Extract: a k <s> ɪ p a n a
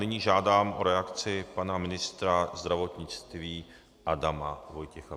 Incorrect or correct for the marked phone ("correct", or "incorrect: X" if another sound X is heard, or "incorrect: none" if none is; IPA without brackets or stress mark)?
incorrect: t͡s